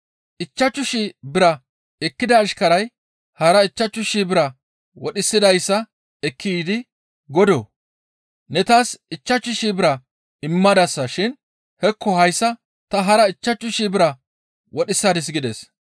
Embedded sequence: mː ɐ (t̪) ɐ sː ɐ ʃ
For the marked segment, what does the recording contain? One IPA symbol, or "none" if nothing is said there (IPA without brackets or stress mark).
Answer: d̪